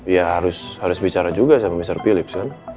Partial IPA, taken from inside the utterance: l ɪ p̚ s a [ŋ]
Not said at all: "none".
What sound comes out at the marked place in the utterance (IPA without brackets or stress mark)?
n